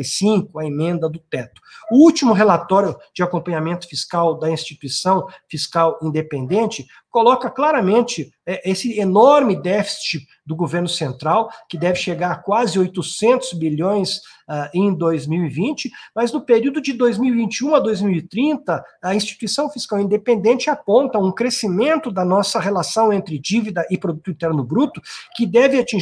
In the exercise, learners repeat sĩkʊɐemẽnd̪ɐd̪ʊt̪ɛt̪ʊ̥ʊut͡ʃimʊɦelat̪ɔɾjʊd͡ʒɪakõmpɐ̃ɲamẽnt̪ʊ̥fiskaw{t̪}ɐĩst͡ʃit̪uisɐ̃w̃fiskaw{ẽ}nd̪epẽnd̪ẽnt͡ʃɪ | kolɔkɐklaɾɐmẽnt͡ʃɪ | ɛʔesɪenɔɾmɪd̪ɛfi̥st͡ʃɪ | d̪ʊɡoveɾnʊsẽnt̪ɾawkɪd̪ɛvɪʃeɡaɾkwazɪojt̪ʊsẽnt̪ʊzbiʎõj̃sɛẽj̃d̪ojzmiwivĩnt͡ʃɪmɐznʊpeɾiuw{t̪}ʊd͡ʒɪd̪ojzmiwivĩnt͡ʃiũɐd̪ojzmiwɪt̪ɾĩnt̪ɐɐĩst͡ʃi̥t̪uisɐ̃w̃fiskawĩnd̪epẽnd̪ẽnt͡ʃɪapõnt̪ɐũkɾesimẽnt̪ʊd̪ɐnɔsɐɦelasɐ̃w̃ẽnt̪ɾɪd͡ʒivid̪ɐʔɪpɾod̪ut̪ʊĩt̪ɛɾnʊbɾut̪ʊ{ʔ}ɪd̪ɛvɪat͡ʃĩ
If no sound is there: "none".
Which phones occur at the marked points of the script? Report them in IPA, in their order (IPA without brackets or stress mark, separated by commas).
d̪, ĩ, d̪, k